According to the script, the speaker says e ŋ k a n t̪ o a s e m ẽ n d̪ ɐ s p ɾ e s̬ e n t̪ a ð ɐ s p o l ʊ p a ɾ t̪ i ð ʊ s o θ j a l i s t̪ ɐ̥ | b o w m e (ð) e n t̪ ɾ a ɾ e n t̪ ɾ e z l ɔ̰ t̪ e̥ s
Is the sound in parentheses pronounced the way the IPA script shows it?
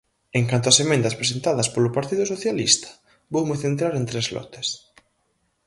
no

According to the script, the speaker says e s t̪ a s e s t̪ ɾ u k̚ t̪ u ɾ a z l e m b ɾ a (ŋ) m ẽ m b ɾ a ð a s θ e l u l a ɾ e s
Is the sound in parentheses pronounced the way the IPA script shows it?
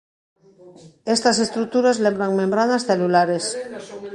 yes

